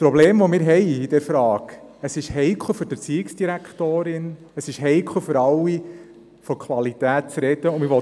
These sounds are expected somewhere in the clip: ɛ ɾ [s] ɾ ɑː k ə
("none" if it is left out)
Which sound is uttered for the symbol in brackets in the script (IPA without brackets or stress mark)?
f